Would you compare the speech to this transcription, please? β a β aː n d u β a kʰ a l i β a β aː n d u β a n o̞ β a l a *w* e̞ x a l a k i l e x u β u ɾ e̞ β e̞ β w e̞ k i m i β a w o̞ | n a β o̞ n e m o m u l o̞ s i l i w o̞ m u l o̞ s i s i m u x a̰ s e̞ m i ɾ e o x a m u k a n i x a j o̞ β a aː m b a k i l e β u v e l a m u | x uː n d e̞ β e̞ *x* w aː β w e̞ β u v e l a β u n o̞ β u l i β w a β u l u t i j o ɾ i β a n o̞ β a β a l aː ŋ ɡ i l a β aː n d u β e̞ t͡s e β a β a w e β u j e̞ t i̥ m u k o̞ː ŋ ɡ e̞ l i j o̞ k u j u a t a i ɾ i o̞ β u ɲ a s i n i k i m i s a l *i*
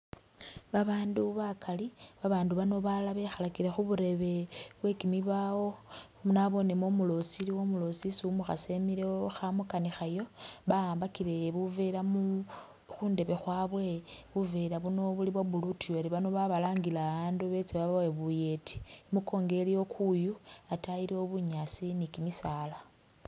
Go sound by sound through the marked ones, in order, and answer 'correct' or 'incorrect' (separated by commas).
incorrect, correct, incorrect